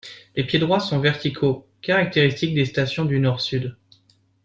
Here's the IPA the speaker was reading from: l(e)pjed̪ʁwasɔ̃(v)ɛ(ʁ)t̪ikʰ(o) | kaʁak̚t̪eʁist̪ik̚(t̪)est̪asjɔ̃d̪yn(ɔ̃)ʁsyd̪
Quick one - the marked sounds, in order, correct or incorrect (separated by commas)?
correct, correct, correct, correct, incorrect, incorrect